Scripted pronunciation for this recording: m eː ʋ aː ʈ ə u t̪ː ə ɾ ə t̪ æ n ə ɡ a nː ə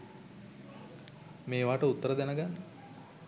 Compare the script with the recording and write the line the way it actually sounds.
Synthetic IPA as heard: m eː ʋ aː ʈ ə u t̪ː ə ɾ ə d̪ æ n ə ɡ a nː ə